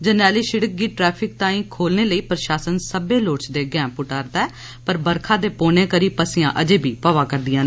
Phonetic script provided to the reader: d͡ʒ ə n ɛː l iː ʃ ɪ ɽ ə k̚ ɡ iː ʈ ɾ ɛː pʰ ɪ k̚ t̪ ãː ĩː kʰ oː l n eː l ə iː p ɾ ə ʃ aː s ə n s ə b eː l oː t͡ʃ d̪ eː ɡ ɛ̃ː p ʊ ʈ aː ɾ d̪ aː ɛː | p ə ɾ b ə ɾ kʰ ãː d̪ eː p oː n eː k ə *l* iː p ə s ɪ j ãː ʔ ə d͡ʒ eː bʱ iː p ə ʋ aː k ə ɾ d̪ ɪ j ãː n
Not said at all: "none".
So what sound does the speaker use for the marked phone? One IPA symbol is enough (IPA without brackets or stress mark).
ɾ